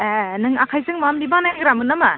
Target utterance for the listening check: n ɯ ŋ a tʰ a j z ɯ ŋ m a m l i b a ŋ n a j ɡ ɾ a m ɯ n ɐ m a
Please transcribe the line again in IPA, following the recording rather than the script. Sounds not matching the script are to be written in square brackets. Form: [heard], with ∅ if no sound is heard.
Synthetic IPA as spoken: n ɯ ŋ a [kʰ] a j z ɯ ŋ m a m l i b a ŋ n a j ɡ ɾ a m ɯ n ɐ m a